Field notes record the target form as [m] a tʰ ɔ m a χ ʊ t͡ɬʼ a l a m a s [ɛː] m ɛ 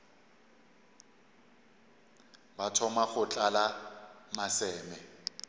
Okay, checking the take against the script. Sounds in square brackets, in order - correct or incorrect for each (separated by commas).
incorrect, correct